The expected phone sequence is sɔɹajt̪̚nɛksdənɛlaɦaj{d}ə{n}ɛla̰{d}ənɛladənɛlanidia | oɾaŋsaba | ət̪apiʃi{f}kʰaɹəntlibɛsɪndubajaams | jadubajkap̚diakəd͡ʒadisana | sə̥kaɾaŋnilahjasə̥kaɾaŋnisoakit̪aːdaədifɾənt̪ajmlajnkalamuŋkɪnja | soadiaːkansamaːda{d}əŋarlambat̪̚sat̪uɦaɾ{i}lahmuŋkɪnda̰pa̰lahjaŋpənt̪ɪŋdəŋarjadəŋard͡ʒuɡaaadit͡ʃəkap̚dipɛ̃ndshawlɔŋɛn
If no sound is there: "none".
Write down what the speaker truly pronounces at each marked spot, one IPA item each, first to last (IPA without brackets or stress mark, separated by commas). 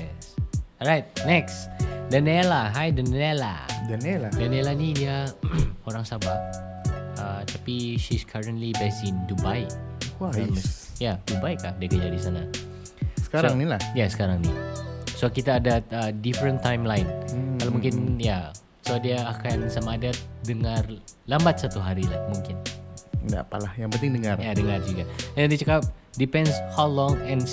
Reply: d, n, d, s, d, i